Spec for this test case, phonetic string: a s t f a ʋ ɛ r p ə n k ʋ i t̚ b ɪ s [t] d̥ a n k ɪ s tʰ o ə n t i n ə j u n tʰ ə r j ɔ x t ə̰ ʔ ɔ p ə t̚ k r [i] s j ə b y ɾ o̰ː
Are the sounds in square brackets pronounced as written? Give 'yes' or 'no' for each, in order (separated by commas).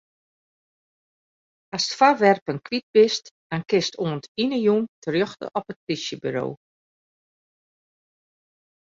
yes, yes